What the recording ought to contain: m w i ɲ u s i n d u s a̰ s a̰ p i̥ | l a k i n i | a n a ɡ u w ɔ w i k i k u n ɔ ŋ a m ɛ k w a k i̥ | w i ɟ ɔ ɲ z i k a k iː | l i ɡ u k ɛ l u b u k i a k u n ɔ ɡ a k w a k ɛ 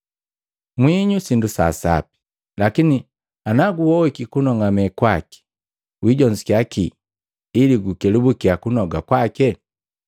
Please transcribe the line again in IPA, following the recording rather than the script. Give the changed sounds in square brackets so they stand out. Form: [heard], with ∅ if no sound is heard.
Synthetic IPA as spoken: m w i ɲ u s i n d u s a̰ s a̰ p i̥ | l a k i n i | a n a ɡ u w ɔ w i k i k u n ɔ ŋ a m ɛ k w a k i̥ | w i ɟ ɔ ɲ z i k a k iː | l i ɡ u k ɛ l u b u k i a k u n ɔ ɡ a k w a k ɛ